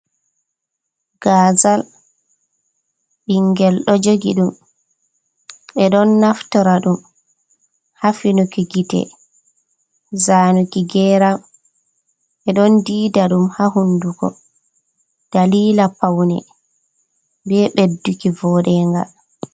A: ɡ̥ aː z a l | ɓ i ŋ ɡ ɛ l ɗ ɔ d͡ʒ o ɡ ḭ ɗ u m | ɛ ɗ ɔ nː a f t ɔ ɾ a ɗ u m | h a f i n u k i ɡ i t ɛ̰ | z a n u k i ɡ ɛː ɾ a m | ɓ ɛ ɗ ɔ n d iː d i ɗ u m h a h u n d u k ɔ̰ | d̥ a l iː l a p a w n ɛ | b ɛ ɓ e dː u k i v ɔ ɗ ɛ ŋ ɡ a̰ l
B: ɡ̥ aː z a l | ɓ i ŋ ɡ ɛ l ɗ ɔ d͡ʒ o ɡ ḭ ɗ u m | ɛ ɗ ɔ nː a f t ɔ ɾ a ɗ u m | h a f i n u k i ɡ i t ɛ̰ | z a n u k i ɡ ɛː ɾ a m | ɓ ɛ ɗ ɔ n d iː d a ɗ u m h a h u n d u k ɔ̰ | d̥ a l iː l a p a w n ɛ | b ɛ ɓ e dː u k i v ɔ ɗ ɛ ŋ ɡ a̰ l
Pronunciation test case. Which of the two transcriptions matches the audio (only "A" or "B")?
B